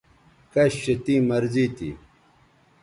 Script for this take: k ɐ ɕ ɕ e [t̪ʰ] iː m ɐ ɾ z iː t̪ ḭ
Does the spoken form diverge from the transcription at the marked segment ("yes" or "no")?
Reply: yes